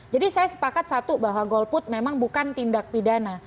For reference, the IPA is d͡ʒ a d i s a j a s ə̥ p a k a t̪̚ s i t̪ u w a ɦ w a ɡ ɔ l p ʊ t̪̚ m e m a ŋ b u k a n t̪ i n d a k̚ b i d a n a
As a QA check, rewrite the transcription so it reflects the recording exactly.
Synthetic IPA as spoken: d͡ʒ a d i s a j a s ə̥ p a k a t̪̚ s a t̪ u b a ɦ w a ɡ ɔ l p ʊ t̪̚ m e m a ŋ b u k a n t̪ i n d a k̚ p i d a n a